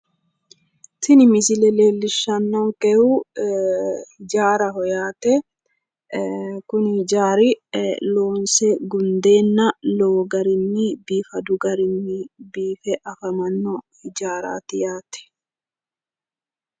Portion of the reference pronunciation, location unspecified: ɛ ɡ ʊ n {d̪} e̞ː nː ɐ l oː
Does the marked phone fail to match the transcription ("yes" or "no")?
no